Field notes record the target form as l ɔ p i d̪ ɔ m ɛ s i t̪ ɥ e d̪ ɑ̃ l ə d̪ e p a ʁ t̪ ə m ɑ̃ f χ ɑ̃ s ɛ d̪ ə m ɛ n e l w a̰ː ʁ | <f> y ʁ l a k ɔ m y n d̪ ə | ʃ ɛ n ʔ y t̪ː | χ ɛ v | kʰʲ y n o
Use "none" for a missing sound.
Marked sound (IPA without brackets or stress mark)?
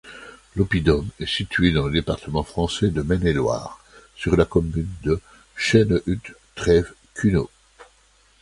s